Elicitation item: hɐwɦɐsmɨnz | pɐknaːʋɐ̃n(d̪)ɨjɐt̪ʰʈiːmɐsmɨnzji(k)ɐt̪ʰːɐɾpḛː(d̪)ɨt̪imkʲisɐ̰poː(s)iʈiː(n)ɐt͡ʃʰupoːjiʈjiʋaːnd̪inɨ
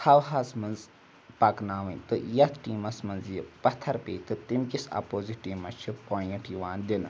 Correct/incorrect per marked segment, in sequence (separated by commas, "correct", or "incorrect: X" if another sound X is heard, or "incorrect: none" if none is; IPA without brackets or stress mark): incorrect: t̪, incorrect: p, incorrect: t̪, incorrect: z, incorrect: m